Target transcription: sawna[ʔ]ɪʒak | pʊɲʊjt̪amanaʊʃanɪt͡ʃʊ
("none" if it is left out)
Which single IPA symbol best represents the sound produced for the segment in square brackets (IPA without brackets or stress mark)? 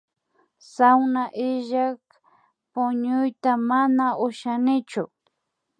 ʔ